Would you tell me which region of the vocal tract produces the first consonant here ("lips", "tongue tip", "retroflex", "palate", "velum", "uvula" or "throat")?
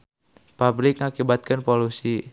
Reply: lips